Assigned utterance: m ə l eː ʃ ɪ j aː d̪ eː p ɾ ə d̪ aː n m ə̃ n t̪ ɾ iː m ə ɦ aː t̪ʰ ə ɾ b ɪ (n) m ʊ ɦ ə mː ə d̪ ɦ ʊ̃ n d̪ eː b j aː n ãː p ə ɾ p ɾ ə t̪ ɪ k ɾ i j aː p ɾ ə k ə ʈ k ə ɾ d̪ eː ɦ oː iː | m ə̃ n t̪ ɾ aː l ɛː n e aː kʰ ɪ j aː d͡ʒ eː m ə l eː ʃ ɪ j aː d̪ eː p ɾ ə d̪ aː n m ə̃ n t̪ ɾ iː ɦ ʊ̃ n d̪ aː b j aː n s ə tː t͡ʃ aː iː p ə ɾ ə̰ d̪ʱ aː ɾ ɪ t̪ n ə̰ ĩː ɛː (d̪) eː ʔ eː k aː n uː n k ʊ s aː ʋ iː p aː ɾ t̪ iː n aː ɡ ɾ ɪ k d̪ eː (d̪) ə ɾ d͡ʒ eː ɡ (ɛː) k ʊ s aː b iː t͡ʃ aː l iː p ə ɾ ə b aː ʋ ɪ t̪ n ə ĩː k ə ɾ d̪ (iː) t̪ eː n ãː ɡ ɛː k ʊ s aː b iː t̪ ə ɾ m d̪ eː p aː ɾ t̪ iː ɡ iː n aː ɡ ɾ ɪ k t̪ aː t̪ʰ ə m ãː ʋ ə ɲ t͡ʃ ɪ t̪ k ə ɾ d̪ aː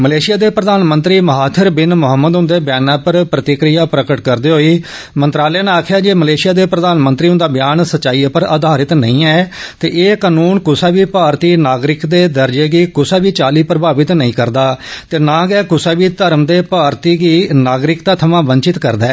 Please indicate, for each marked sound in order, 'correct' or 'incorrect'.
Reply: correct, incorrect: t̪, correct, incorrect: iː, incorrect: aː

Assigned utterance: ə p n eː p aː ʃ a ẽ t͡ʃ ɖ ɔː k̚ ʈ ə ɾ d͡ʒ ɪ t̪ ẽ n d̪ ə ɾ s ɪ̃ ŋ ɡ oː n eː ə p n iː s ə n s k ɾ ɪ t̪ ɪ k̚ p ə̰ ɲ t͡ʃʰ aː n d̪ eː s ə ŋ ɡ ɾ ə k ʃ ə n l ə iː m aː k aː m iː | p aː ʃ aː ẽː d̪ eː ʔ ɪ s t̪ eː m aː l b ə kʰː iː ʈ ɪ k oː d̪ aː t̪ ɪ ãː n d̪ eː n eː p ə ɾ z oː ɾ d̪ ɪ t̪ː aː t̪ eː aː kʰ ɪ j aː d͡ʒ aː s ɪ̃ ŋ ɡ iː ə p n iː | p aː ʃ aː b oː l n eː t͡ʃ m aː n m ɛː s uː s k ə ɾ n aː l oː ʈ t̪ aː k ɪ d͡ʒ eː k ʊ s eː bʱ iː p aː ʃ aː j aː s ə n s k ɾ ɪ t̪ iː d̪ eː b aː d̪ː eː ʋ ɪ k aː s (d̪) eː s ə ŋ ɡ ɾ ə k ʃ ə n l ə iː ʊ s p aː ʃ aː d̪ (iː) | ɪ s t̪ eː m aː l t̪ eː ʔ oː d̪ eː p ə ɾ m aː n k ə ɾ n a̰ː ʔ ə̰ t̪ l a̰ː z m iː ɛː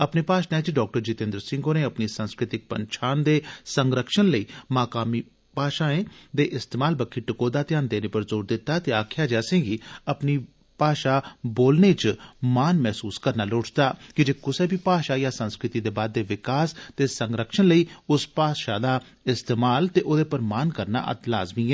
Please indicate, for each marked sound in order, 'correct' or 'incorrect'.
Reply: incorrect: t̪, incorrect: aː

